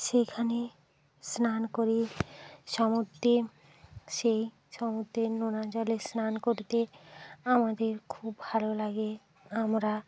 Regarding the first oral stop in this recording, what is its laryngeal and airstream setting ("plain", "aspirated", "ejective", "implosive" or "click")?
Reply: aspirated